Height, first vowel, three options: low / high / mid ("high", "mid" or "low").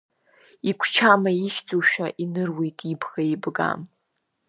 high